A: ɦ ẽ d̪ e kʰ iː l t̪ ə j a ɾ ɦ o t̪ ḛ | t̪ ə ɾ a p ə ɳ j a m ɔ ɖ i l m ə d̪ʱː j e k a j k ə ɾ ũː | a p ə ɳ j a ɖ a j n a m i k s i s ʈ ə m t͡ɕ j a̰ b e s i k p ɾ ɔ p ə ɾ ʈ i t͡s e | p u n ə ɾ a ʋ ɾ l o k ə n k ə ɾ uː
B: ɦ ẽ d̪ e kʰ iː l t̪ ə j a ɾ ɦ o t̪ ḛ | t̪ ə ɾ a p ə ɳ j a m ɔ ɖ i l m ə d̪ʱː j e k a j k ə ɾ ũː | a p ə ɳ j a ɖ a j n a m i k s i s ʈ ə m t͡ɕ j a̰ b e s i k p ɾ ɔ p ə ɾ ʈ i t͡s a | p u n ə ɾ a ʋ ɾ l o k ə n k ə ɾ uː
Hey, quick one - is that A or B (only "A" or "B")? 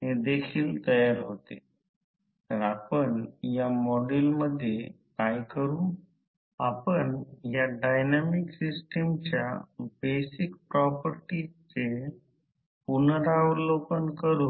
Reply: A